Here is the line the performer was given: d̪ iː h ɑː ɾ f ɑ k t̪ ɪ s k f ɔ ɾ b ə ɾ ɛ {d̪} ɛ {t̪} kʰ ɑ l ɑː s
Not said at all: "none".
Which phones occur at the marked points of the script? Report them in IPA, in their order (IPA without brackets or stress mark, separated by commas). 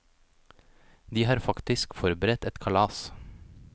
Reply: t̪, t̪